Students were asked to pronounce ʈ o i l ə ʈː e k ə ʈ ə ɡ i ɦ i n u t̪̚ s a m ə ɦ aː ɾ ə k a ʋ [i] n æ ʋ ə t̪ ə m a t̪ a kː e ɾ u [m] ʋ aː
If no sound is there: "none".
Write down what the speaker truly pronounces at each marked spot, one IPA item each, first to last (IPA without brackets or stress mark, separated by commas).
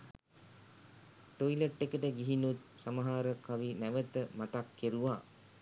i, none